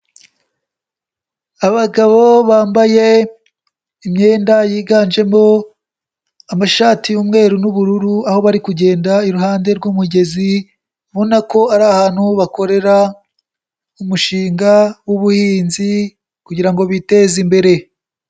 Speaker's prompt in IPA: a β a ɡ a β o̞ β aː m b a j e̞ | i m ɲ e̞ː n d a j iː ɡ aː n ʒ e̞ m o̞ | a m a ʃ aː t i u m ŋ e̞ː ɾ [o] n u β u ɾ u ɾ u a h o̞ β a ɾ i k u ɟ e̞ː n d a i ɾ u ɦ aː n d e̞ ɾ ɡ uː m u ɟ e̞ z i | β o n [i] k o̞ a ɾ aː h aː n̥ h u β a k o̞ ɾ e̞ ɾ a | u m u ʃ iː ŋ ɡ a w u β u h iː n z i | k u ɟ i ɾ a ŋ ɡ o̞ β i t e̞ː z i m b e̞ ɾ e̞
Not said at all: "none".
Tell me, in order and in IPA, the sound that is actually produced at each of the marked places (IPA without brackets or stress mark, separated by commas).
u, a